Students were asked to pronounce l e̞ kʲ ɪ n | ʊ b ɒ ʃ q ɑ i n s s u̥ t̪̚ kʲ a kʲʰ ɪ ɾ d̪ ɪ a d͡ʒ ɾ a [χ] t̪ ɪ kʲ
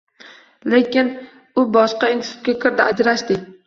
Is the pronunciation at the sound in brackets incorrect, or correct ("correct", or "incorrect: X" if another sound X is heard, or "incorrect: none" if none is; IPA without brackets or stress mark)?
incorrect: ʃ